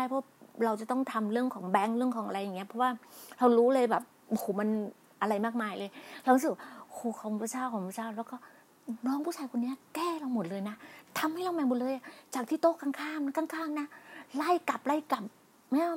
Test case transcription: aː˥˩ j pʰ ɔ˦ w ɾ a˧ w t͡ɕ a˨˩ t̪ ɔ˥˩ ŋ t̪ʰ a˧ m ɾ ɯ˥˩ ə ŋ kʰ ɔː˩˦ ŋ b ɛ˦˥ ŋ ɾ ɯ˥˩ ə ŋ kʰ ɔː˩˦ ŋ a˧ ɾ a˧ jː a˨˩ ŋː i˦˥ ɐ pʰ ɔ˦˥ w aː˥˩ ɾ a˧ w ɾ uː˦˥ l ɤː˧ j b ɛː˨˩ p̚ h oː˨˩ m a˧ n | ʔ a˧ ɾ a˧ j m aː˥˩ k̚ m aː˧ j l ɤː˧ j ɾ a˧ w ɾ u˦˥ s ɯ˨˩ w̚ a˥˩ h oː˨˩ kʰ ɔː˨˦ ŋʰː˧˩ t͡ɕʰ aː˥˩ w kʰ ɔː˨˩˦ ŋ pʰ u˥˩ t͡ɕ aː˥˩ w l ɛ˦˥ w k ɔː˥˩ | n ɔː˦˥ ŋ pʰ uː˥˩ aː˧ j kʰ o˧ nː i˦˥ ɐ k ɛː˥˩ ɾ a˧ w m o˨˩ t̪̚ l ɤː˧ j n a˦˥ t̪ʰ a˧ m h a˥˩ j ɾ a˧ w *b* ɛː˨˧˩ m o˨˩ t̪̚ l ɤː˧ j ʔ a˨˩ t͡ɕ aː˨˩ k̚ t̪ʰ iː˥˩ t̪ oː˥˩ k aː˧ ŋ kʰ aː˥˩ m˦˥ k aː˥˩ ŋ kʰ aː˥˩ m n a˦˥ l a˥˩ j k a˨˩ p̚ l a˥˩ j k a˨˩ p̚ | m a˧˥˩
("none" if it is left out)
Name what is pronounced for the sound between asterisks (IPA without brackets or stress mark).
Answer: m